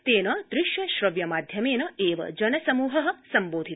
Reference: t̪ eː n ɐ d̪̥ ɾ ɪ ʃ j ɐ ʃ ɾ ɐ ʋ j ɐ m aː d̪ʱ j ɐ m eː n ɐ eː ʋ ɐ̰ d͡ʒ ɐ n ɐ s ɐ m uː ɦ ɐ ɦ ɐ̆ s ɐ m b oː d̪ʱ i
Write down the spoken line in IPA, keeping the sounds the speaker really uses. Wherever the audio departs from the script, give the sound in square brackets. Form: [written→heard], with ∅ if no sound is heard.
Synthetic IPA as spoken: t̪ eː n ɐ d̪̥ ɾ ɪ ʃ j ɐ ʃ ɾ ɐ ʋ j ɐ m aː d̪ʱ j ɐ m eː n ɐ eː ʋ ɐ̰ d͡ʒ ɐ n ɐ s ɐ m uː ɦ ɐ ɦ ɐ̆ s ɐ m b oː d̪ʱ i